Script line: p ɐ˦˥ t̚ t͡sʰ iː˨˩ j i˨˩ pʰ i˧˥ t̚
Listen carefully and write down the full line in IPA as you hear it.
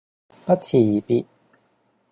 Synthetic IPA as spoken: p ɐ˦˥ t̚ t͡sʰ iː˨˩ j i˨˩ p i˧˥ t̚